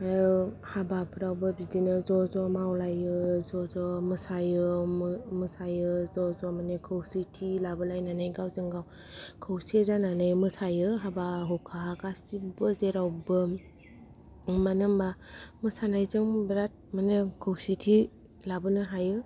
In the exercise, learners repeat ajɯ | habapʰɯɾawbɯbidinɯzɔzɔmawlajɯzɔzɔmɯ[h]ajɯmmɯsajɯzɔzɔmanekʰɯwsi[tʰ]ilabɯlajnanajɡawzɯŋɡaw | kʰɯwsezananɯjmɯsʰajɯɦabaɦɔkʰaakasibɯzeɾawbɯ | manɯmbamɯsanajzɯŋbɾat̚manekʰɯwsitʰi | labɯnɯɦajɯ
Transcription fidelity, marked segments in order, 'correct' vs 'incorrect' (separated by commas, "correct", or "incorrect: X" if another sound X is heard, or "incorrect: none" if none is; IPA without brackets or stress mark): incorrect: s, correct